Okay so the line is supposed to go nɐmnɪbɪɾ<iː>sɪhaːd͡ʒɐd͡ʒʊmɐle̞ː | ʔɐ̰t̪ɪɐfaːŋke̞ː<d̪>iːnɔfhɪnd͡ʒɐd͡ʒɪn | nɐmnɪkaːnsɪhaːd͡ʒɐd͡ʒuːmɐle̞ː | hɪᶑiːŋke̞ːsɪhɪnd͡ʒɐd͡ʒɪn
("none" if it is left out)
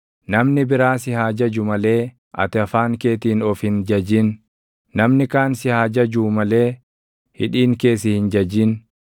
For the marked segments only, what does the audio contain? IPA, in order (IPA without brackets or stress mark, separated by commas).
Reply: aː, t̪